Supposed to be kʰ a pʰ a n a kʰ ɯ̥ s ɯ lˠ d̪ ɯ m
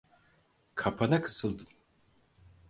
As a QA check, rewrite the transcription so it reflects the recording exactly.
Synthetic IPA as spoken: kʰ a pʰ a n a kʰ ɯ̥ s ɯ lˠ d̪ ɯ m

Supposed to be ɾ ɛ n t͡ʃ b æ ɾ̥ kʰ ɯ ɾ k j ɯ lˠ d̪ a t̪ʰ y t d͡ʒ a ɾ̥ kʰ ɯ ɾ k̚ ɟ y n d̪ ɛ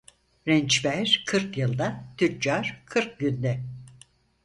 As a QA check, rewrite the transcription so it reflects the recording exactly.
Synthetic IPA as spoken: ɾ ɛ n t͡ʃ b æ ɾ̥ kʰ ɯ ɾ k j ɯ lˠ d̪ a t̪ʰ y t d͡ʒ a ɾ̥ kʰ ɯ ɾ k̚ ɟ y n d̪ ɛ

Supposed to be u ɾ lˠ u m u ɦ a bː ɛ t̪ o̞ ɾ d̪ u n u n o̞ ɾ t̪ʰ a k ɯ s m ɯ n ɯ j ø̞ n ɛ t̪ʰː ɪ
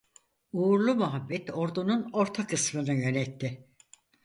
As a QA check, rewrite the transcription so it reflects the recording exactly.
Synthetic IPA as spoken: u ɾ lˠ u m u ɦ a bː ɛ t̪ o̞ ɾ d̪ u n u n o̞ ɾ t̪ʰ a k ɯ s m ɯ n ɯ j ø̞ n ɛ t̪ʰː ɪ

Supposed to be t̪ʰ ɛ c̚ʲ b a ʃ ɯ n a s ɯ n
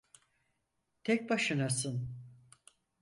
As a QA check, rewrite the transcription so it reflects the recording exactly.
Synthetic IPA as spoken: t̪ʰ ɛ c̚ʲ b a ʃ ɯ n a s ɯ n

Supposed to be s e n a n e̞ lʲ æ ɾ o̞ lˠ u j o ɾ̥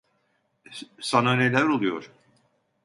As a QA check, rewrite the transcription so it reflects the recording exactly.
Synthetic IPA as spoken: s a n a n e̞ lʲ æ ɾ o̞ lˠ u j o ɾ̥

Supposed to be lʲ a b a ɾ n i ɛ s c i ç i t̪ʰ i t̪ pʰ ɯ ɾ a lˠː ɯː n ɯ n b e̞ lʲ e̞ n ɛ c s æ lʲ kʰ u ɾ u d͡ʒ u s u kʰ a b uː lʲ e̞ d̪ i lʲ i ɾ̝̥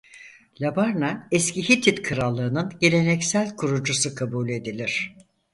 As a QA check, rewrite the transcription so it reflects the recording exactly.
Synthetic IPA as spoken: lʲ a b a ɾ n a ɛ s c i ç i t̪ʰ i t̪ kʰ ɯ ɾ a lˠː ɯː n ɯ n ɟ e̞ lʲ e̞ n ɛ c s æ lʲ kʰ u ɾ u d͡ʒ u s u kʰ a b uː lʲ e̞ d̪ i lʲ i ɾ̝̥

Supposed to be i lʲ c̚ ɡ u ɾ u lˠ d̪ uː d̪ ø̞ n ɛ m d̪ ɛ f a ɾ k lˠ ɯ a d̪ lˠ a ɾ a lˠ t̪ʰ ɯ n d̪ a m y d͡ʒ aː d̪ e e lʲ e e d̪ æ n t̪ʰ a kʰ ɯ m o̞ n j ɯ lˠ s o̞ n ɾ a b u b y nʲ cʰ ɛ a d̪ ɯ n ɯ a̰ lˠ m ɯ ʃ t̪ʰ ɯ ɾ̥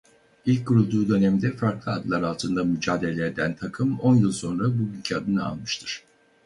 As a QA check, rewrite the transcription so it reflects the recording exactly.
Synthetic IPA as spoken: i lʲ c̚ ɡ u ɾ u lˠ d̪ uː d̪ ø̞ n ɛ m d̪ ɛ f a ɾ k lˠ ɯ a d̪ lˠ a ɾ a lˠ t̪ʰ ɯ n d̪ a m y d͡ʒ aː d̪ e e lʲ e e d̪ æ n t̪ʰ a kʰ ɯ m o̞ n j ɯ lˠ s o̞ n ɾ a b u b y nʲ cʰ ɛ a d̪ ɯ n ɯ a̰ lˠ m ɯ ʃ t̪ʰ ɯ ɾ̥

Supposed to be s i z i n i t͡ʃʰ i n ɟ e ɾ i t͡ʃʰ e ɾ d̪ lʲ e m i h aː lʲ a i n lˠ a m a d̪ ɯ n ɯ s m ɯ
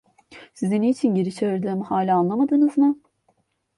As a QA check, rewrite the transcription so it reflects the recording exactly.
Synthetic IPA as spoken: s i z i n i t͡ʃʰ i n ɟ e ɾ i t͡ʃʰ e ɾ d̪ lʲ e m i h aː lʲ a a n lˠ a m a d̪ ɯ n ɯ z m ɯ

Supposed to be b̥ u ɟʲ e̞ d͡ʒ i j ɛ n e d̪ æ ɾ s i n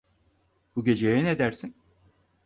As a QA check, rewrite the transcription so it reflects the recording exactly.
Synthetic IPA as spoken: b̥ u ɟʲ e̞ d͡ʒ e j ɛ n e d̪ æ ɾ s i n

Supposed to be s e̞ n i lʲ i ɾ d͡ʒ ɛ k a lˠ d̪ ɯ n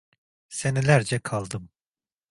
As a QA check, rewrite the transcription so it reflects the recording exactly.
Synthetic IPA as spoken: s e̞ n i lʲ æ ɾ d͡ʒ ɛ kʰ a lˠ d̪ ɯ m

